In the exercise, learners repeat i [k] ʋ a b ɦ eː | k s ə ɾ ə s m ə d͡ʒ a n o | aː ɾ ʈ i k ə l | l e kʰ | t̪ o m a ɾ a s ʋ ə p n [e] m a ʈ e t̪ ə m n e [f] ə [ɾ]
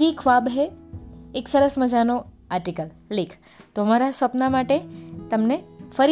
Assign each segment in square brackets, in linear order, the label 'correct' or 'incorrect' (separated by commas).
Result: incorrect, incorrect, correct, correct